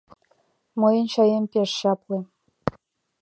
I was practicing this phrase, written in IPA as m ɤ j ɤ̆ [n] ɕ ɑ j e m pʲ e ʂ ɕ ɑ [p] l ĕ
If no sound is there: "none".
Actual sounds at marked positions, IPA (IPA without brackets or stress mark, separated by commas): n, p